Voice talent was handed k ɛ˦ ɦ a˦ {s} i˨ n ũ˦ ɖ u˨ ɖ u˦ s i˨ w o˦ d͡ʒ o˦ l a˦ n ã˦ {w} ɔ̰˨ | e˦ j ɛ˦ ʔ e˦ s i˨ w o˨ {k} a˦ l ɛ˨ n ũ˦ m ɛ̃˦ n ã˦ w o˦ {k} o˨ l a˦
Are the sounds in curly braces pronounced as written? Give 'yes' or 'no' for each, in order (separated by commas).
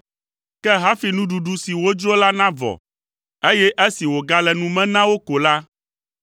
no, no, no, yes